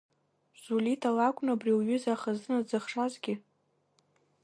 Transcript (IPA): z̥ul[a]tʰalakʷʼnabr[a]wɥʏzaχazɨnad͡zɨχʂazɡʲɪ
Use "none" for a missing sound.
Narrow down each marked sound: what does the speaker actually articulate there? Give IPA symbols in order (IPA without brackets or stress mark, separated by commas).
i, i